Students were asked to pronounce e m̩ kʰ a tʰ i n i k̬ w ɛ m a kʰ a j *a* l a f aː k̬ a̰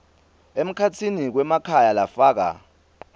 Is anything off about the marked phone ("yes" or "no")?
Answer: no